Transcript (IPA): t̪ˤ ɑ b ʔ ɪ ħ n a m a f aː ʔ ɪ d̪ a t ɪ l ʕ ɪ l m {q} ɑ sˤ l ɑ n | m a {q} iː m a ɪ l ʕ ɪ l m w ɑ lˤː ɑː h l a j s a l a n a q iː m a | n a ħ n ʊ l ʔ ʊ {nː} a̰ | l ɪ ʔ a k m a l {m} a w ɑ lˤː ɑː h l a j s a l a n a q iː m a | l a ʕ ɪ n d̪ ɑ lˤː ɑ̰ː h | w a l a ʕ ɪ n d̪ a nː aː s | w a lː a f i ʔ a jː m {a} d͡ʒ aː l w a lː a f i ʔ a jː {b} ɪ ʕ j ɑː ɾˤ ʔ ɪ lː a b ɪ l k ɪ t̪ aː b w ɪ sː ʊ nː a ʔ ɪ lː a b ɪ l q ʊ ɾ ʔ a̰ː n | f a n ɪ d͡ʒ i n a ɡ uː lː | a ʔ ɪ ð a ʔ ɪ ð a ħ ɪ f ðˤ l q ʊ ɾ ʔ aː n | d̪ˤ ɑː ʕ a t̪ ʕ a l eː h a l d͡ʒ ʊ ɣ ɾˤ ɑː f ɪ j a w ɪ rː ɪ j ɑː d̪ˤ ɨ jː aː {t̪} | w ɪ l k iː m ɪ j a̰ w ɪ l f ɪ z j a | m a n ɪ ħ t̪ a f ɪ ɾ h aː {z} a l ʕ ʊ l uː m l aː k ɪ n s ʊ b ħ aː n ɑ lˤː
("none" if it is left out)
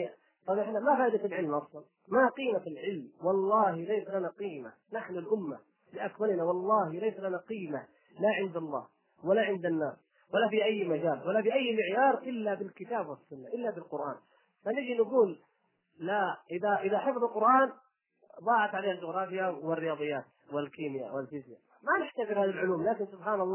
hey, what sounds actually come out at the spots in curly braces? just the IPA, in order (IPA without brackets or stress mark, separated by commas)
ʔ, q, mː, n, a, m, t̪, ð